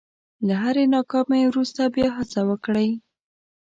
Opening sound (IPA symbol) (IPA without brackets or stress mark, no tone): l